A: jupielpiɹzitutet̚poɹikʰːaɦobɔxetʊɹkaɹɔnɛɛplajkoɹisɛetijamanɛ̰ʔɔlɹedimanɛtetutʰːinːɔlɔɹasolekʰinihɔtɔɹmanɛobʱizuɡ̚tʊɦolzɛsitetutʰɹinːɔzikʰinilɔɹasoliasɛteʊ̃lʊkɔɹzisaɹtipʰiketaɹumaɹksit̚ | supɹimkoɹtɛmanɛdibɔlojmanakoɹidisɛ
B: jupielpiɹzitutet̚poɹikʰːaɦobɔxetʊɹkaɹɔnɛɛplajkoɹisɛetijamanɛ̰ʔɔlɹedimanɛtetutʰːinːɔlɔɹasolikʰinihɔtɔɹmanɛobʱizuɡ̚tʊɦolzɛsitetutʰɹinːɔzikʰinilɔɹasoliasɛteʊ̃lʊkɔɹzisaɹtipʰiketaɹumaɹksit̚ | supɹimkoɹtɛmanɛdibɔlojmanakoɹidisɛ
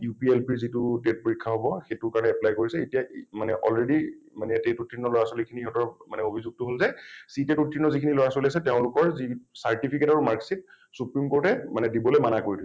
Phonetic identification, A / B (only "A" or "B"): B